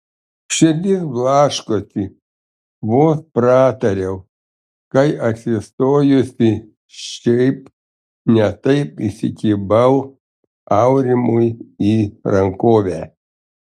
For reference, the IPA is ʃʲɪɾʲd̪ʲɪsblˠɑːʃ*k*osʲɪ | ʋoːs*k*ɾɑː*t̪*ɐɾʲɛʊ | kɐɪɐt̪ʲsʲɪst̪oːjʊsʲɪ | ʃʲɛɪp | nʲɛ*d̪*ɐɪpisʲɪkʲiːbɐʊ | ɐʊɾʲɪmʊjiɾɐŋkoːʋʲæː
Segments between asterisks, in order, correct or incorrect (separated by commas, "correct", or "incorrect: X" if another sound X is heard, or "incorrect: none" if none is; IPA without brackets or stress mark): correct, incorrect: p, correct, incorrect: t̪